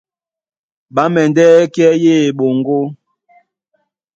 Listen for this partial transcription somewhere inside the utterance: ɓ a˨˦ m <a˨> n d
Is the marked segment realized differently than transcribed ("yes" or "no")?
yes